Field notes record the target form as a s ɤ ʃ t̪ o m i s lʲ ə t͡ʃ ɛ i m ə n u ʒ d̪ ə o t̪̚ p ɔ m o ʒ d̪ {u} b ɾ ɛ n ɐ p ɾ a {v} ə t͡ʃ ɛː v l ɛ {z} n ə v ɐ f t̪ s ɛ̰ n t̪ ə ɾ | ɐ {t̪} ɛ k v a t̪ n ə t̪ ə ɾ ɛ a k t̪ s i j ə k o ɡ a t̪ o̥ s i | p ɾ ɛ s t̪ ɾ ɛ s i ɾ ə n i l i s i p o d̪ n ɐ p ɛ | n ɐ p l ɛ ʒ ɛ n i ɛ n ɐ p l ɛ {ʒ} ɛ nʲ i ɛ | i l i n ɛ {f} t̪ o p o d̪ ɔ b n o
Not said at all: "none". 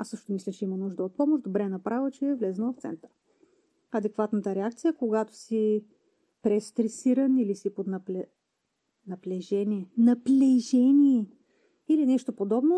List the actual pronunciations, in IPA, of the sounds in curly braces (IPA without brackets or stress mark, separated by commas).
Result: o, v, z, d̪, ʒ, ʃ